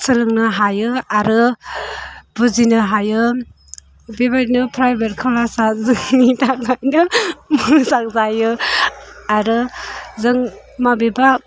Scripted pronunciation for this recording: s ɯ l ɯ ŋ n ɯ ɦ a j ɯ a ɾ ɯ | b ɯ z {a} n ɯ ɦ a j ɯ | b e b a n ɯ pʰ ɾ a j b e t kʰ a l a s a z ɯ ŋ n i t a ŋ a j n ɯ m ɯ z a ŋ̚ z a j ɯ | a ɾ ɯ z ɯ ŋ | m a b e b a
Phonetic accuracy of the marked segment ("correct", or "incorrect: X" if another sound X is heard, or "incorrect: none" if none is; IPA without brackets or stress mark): incorrect: i